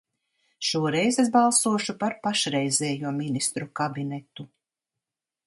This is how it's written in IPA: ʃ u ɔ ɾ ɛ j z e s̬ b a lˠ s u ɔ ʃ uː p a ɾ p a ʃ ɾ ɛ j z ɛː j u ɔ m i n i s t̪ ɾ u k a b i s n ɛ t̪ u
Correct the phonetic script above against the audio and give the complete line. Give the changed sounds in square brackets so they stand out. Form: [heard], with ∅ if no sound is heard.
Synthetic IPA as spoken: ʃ u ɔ ɾ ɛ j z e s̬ b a lˠ s u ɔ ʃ [u] p a ɾ p a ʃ ɾ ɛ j z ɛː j u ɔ m i n i s t̪ ɾ u k a b i [∅] n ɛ t̪ u

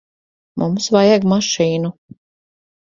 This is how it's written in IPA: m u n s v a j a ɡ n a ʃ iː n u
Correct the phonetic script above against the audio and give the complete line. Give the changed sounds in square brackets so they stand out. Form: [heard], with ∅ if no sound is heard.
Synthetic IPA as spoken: m u [m] s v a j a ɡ [m] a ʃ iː n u

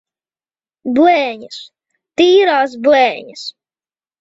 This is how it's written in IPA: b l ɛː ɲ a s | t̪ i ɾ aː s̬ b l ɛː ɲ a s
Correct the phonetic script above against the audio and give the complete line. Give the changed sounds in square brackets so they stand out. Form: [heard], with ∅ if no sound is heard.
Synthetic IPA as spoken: b l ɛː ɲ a s | t̪ [iː] ɾ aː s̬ b l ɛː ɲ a s

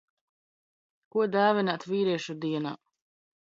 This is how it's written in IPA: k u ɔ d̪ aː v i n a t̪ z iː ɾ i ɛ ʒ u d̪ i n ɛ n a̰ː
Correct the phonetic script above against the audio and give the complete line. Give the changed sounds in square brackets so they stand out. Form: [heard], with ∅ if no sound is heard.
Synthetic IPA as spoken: k u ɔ d̪ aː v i n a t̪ [v] iː ɾ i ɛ [ʃ] u d̪ i [∅] ɛ n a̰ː

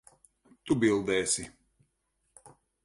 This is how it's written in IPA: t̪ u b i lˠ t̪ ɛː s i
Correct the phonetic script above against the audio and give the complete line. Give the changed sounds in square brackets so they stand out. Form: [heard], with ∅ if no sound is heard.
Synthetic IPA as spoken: t̪ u b i lˠ [d̪] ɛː s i

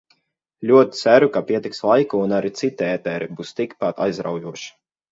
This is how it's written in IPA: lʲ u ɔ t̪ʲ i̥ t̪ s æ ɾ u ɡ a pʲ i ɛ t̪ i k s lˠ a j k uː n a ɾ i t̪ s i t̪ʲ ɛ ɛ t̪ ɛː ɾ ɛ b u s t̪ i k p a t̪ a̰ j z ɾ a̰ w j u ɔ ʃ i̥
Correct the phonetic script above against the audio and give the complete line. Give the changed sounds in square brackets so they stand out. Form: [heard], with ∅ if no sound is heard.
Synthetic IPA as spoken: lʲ u ɔ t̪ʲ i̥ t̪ s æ ɾ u [k] a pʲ i ɛ t̪ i k s lˠ a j k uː n a ɾ i t̪ s i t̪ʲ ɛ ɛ t̪ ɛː ɾ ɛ b u s t̪ i k p a t̪ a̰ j z ɾ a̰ w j u ɔ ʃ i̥

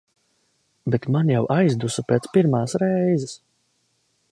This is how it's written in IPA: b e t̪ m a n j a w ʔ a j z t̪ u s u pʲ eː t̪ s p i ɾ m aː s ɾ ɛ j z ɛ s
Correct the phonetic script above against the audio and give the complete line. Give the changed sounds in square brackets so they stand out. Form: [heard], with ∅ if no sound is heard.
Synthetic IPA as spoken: b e t̪ m a n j a w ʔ a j z [d̪] u s u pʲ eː t̪ s p i ɾ m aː s ɾ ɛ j z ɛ s

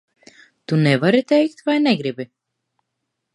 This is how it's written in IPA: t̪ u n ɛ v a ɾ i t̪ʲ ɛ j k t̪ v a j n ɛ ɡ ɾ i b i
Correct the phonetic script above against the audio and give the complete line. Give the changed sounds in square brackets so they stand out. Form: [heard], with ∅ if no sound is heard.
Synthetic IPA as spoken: t̪ u n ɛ v a ɾ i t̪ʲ ɛ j k t̪ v a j n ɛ ɡ ɾ i b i

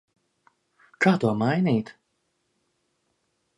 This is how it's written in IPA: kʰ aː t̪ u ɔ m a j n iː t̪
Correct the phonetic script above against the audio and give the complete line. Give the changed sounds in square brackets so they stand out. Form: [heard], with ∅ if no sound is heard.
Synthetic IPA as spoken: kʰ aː t̪ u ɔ m a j n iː t̪

